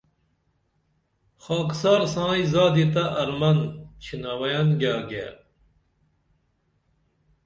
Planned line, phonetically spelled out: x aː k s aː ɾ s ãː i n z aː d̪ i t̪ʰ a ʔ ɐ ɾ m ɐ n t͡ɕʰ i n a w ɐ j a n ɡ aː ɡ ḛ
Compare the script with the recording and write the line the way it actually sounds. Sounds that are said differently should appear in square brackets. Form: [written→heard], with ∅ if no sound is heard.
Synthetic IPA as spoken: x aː k s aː ɾ s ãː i [n→∅] z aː d̪ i [t̪ʰ→t̪] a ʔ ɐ ɾ m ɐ n t͡ɕʰ i n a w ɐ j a n ɡ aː ɡ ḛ